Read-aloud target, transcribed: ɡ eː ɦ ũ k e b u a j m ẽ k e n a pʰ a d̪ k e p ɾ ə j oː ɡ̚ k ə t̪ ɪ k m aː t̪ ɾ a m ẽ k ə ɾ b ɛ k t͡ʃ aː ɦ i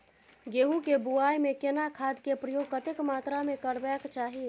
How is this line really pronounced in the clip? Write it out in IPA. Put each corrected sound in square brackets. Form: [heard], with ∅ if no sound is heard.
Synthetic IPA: ɡ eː ɦ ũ k e b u a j m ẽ k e n a [kʰ] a d̪ k e p ɾ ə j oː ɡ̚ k ə t̪ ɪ k m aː t̪ ɾ a m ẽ k ə ɾ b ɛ k t͡ʃ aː ɦ i